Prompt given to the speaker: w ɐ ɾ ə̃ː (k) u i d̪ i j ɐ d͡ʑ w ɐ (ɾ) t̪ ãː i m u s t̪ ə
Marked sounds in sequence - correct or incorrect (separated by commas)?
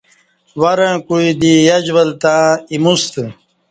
correct, incorrect